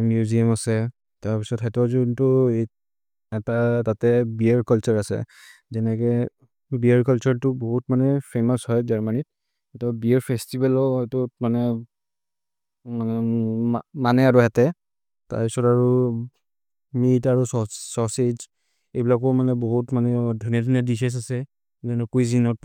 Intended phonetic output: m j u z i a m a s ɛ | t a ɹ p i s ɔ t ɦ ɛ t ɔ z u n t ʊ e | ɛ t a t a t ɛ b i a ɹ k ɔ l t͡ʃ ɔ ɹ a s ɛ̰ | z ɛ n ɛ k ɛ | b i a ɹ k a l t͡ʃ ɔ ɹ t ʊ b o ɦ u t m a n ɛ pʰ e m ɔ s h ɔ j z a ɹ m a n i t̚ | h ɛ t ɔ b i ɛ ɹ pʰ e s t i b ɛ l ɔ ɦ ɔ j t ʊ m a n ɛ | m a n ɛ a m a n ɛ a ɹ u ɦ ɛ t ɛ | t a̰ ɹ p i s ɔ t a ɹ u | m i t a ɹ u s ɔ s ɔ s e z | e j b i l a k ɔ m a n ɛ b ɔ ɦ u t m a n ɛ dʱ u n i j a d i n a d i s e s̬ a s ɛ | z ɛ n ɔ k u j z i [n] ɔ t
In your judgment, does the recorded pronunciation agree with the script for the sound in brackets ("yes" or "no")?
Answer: yes